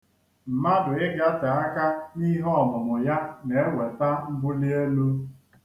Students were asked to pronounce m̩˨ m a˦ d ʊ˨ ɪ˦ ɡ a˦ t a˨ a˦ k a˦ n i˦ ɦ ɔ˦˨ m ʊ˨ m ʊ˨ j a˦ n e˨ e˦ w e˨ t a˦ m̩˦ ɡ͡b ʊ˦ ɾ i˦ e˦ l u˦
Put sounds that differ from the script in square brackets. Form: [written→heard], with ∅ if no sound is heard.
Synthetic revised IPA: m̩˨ m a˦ d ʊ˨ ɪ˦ ɡ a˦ t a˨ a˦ k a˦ n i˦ ɦ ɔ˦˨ m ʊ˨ m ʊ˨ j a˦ n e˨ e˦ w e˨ t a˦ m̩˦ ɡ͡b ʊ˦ [ɾ→l] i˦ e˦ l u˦